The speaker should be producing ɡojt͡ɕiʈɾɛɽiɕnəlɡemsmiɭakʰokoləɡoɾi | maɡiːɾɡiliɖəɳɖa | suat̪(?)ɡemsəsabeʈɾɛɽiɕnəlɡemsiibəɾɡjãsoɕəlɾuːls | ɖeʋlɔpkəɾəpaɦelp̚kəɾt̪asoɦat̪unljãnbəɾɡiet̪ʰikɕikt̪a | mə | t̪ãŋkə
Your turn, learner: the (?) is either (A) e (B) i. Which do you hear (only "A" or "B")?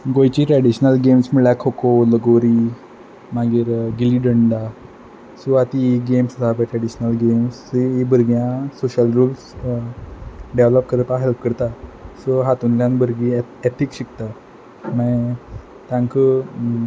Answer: B